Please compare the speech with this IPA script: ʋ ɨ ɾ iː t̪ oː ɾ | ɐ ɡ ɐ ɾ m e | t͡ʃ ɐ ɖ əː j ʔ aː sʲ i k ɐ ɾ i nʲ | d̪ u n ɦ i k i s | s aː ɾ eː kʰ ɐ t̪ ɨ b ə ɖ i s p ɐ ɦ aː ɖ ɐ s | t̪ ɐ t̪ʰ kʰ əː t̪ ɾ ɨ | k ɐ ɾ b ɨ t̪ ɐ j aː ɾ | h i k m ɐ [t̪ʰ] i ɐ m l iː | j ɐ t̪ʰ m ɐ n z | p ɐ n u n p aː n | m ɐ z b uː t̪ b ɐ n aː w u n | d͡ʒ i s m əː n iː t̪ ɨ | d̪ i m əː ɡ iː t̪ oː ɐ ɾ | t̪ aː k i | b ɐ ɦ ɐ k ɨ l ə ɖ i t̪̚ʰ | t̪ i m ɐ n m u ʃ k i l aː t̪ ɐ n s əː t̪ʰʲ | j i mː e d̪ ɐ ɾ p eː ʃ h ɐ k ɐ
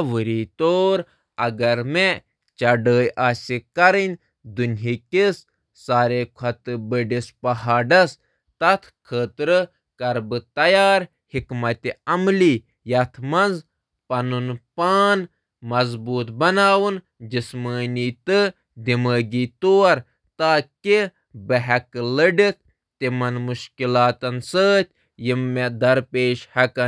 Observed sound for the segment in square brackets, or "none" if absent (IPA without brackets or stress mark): t̪